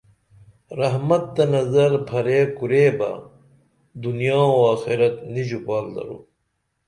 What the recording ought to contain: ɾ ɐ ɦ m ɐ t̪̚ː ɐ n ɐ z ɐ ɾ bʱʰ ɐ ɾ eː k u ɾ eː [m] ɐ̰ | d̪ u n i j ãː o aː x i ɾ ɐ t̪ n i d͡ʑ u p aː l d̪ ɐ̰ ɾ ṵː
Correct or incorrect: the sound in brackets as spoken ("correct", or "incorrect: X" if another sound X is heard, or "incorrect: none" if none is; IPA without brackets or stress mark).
incorrect: b